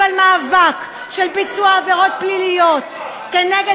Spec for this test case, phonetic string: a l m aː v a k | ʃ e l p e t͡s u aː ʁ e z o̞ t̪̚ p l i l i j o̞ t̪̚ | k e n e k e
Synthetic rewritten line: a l m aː v a k | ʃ e l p i t͡s u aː v e ʁ o̞ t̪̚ p l i l i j o̞ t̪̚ | k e n e ɡ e